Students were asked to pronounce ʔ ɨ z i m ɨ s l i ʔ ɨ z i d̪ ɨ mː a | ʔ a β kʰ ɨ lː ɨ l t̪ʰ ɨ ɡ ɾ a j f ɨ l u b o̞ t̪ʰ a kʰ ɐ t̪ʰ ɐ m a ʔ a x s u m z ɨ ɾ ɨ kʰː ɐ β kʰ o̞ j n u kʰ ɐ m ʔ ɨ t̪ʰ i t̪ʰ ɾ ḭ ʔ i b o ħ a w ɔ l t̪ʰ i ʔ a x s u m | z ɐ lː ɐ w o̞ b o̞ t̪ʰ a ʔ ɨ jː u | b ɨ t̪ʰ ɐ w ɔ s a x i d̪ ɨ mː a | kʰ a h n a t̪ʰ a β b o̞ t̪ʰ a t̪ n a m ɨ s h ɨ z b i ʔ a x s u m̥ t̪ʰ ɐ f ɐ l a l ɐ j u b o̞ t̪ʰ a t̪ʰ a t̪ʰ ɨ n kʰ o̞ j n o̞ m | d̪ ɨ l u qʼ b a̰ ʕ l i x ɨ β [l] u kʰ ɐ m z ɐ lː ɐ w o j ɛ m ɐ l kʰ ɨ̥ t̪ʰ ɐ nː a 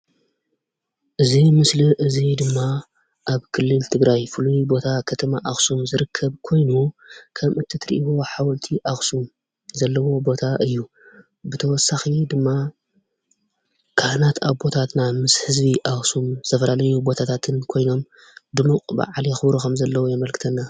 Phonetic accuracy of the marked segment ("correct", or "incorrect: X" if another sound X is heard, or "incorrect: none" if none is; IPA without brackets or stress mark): incorrect: ɾ